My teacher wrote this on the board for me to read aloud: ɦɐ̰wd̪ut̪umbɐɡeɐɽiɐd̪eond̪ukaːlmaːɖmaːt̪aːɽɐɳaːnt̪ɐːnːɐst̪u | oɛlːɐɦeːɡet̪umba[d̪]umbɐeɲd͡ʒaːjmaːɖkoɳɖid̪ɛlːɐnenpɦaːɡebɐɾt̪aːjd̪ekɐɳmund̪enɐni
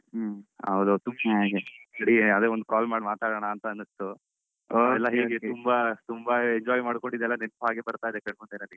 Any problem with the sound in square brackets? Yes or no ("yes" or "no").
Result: yes